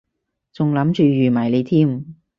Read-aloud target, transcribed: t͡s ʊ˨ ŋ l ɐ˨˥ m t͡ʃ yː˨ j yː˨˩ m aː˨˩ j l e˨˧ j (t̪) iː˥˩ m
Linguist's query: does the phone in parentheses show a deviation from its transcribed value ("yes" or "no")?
yes